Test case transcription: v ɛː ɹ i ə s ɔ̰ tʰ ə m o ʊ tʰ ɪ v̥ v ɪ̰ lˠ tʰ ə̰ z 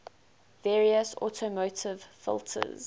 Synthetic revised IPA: v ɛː ɹ i ə s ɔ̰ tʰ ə m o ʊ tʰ ɪ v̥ f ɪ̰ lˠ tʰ ə̰ z